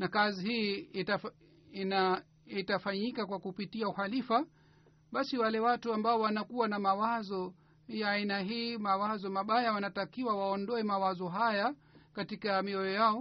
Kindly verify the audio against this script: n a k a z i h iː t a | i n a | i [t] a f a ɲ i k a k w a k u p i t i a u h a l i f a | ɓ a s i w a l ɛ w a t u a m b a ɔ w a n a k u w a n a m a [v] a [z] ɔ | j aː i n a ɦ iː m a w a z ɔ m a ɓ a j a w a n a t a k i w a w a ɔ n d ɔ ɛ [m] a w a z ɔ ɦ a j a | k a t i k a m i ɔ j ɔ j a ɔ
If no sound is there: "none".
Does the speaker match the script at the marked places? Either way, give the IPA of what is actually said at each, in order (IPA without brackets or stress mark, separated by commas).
t, w, z, m